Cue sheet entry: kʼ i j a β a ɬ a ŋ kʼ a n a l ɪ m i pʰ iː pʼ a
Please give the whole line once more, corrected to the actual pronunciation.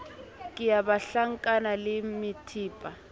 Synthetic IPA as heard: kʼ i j a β a ɬ a ŋ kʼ a n a l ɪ m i tʰ iː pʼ a